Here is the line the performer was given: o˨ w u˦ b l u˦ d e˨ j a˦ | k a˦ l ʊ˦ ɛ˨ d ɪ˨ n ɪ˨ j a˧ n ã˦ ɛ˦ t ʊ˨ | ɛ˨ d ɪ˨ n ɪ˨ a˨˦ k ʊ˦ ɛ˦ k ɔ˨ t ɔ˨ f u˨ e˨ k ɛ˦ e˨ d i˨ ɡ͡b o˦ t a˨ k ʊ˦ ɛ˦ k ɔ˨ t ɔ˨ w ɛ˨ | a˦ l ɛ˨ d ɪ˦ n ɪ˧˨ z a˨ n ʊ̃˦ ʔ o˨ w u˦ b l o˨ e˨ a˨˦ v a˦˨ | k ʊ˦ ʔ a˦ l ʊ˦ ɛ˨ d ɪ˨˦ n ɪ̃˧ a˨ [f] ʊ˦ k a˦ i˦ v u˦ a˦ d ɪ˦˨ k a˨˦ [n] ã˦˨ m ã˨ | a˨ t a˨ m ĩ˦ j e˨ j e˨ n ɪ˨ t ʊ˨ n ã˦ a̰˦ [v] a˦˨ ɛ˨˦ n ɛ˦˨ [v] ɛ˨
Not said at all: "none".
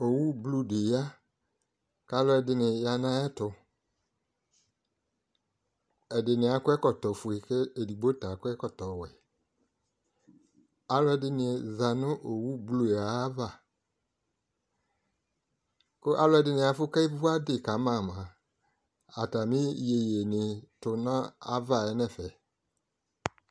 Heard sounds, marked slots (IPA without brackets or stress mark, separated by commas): f, m, v, f